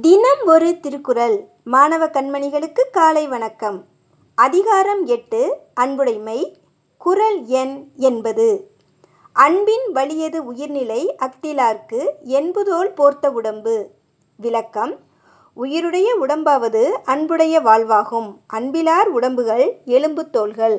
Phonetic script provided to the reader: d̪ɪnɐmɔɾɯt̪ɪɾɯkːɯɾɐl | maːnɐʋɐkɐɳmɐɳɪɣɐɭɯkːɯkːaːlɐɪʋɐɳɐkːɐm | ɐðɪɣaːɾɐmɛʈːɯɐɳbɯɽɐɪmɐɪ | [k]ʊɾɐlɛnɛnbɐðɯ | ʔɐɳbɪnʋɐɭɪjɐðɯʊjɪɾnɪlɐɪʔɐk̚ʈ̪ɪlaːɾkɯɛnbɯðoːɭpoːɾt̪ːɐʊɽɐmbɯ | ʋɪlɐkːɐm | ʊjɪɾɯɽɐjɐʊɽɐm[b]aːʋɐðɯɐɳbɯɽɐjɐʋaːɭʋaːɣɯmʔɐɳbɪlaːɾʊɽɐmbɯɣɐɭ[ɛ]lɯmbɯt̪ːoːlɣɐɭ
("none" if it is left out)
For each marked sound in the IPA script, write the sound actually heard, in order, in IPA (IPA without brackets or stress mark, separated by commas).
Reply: k, b, ɛ